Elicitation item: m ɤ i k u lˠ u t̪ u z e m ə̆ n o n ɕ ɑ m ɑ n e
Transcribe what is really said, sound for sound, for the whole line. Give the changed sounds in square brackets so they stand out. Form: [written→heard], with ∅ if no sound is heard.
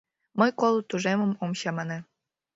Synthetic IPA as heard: m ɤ [i→j] k [u→o] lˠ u t̪ u [z→ʒ] e m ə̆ [n→m] o [n→m] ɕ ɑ m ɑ n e